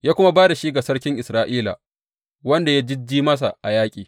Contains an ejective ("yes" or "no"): yes